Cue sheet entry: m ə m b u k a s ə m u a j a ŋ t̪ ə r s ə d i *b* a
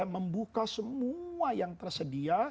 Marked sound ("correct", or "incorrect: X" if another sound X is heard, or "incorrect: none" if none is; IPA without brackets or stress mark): incorrect: none